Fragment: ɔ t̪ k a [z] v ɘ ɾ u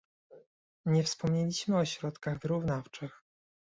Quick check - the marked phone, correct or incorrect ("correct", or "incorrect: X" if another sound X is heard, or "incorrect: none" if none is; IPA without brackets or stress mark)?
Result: incorrect: ɣ